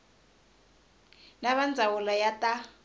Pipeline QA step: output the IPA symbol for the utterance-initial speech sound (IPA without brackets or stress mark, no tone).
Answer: n